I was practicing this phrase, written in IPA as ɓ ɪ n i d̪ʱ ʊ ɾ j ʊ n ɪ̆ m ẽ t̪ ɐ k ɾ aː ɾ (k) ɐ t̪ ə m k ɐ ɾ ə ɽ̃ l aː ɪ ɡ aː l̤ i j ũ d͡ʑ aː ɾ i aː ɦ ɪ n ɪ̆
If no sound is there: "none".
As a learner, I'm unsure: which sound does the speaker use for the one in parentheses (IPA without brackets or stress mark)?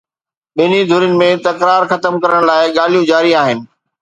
x